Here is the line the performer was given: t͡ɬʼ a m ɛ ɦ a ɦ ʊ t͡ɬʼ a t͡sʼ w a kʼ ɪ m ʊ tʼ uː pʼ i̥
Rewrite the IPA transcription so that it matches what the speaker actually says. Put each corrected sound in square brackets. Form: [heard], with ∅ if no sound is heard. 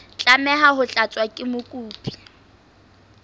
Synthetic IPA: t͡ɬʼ a m ɛ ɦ a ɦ ʊ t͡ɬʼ a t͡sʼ w a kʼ ɪ m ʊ [kʼ] uː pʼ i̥